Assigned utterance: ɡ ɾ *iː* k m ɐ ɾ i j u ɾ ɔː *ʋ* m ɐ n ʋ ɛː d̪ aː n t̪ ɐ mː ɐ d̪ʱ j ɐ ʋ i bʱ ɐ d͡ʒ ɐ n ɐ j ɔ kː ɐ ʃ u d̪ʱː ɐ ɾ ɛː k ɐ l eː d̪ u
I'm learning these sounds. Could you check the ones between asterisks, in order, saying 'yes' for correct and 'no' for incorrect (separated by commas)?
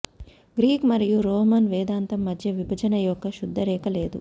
yes, no